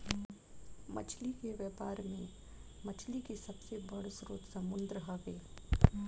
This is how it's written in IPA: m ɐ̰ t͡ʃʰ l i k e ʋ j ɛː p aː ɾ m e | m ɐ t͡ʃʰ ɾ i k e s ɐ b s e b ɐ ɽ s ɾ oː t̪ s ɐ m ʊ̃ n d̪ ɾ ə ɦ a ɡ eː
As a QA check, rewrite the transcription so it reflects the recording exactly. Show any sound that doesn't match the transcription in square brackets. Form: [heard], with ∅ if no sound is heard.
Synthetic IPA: m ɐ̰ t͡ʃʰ l i k e ʋ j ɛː p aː ɾ m [ẽ] | m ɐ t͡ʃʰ [l] i k e s ɐ b s e b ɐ ɽ s ɾ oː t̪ s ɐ m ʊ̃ n d̪ ɾ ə ɦ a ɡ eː